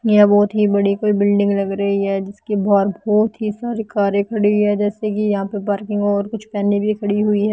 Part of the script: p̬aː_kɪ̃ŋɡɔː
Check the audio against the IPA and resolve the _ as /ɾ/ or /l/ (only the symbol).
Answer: ɾ